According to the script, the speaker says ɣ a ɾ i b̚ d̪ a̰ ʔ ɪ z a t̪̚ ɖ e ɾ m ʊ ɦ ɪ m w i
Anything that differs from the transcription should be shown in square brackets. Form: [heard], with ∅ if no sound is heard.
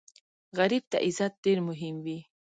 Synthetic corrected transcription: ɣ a ɾ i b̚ [t̪] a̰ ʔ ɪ z a t̪̚ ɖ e ɾ m ʊ ɦ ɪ m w i